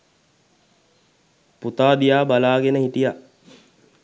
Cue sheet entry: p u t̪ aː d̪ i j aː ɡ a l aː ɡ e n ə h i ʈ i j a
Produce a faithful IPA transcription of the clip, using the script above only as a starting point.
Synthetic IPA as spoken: p u t̪ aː d̪ i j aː b a l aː ɡ e n ə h i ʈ i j a